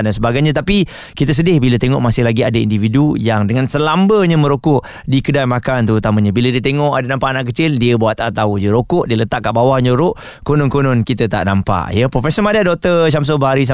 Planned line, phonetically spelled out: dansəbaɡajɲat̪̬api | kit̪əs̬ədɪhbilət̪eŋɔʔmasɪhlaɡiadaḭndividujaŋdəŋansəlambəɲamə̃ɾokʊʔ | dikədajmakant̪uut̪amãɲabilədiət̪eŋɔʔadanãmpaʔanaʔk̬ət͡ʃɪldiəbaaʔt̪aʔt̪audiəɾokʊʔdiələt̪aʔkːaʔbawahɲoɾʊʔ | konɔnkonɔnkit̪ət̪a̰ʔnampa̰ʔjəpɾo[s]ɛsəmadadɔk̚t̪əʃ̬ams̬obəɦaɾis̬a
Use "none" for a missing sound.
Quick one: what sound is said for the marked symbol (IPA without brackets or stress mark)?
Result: f